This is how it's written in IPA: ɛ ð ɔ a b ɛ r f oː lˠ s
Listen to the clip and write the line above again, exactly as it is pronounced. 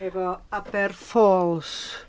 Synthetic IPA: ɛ v ɔ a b ɛ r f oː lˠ s